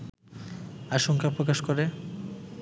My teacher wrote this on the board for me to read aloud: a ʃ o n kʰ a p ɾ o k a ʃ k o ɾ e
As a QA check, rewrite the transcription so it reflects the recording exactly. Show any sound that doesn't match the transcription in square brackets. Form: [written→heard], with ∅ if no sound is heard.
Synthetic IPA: a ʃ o [n→ŋ] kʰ a p ɾ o k a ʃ k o ɾ e